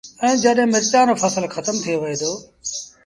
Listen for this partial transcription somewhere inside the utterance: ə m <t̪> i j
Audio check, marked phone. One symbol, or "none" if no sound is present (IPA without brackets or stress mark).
t̪ʰ